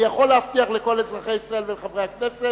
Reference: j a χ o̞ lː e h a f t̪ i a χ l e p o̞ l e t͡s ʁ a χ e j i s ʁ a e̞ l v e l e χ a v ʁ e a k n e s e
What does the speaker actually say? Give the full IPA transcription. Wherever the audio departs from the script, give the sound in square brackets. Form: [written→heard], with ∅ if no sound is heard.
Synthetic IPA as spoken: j a χ o̞ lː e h a f t̪ i a χ l e [p→k] o̞ l e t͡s ʁ a χ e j i s ʁ a e̞ l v e l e χ a v ʁ e a k n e s e